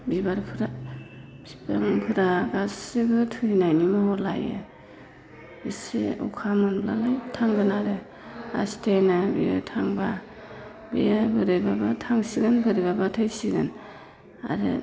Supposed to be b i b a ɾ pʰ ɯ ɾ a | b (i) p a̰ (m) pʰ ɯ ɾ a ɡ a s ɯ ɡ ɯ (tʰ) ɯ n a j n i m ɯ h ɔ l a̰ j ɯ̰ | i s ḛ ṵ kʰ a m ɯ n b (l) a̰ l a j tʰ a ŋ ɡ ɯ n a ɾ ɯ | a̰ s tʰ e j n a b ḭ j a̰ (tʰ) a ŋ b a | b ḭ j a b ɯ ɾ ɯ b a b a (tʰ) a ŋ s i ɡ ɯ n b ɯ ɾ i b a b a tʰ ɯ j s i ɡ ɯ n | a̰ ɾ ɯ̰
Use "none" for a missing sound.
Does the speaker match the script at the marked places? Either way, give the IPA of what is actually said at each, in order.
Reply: i, ŋ, tʰ, l, tʰ, tʰ

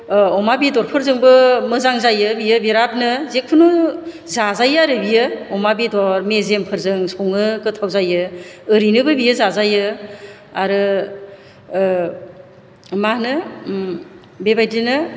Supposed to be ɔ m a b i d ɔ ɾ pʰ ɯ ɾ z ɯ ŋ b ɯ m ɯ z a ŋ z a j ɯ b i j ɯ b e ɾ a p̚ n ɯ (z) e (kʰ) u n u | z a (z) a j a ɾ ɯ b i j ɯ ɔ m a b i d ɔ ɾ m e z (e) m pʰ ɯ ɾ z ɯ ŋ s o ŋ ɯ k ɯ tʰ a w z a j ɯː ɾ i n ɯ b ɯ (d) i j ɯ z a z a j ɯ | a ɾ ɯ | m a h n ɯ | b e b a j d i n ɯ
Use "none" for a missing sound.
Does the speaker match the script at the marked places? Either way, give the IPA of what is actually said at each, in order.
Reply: z, kʰ, z, e, b

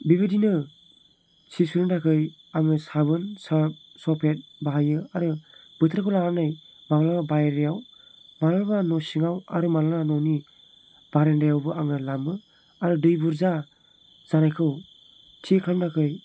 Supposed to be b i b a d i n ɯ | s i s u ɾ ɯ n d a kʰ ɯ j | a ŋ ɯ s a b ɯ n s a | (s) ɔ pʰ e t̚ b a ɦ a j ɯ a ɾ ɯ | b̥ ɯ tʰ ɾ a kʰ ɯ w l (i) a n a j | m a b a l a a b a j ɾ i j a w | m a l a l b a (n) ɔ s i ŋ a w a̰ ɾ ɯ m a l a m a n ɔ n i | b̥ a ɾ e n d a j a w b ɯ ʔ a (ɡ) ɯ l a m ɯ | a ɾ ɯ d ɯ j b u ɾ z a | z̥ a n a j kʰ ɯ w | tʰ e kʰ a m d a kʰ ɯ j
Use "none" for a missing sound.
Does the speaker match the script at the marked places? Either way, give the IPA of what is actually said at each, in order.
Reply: s, a, n, ŋ

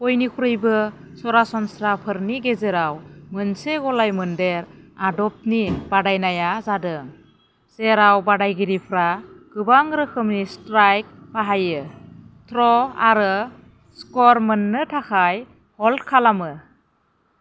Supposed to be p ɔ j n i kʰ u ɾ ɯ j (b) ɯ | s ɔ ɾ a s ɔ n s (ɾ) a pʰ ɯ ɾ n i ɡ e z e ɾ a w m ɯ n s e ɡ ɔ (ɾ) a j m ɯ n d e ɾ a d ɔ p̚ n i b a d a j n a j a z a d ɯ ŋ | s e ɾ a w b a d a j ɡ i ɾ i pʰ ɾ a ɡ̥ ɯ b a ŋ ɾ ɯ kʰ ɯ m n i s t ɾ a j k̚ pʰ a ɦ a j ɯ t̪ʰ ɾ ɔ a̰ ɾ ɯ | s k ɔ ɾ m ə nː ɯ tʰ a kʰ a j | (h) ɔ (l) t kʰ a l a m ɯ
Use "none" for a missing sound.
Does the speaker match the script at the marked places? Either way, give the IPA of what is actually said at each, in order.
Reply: b, ɾ, l, h, l

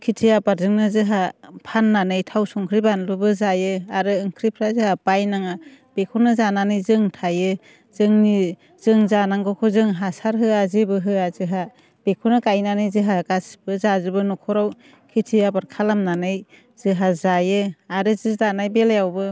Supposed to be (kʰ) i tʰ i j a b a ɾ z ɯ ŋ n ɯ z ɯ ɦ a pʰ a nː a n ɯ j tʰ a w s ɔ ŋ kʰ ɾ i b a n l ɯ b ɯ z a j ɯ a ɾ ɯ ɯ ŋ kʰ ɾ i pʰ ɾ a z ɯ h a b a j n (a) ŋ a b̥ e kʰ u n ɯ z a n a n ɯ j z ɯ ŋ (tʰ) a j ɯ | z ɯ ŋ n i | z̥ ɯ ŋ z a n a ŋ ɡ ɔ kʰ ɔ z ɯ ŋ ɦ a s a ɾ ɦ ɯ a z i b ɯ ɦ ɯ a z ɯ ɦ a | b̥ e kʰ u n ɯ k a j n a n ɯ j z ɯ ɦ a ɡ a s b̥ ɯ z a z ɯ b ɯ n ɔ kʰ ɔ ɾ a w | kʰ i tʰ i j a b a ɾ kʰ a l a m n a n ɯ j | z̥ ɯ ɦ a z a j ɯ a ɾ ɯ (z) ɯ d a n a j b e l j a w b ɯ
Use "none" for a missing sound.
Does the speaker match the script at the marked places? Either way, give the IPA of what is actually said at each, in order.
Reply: kʰ, a, tʰ, z

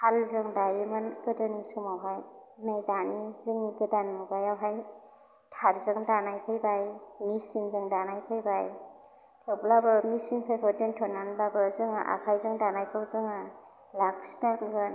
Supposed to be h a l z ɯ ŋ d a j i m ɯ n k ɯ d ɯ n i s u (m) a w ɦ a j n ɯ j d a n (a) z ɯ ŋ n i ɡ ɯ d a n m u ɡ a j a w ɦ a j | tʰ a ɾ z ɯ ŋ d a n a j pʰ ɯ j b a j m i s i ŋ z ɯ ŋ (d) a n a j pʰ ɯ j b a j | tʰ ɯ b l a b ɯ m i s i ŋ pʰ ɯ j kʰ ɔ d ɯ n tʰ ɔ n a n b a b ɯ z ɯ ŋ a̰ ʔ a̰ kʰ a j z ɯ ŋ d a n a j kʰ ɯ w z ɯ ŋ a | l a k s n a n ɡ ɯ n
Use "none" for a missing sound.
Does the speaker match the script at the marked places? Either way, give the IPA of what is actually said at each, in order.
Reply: m, i, d

